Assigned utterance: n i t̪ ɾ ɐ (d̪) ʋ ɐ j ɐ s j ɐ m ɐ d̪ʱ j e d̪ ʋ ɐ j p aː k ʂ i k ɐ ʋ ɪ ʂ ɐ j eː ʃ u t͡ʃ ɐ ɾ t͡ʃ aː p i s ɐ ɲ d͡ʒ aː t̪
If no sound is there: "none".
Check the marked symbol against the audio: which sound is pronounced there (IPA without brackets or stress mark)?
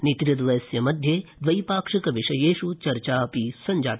d̪